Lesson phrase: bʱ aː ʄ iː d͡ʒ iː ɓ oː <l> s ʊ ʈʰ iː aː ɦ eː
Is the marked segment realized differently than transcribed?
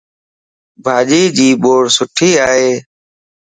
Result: yes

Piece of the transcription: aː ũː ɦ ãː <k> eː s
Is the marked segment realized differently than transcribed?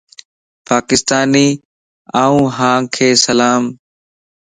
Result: yes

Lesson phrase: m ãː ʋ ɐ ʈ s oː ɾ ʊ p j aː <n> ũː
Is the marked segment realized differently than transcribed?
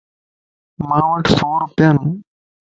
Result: no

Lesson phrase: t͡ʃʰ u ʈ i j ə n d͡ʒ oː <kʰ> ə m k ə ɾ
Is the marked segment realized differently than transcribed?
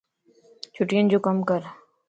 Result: yes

